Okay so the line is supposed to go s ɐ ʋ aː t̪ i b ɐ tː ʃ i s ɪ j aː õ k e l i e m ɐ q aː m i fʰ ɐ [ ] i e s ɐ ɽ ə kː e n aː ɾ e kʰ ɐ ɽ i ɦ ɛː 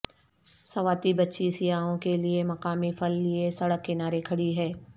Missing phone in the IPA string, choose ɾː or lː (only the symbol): lː